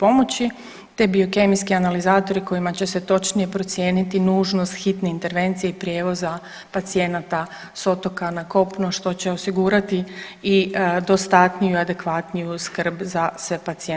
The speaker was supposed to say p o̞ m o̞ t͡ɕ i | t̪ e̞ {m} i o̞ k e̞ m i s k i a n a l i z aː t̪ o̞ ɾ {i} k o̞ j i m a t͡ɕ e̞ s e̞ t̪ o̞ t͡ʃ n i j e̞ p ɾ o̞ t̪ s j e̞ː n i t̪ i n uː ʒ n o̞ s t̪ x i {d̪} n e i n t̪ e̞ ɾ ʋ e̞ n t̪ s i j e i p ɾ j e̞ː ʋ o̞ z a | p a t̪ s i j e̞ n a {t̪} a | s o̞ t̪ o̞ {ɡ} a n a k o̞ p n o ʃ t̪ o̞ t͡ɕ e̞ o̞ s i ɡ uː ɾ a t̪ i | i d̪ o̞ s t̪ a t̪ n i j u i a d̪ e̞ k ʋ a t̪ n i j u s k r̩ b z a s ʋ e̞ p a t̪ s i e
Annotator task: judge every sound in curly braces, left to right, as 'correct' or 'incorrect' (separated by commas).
incorrect, correct, incorrect, correct, incorrect